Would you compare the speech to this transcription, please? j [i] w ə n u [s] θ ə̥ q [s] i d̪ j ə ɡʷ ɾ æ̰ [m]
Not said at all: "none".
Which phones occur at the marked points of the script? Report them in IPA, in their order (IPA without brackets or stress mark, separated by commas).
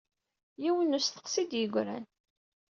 i, s, s, n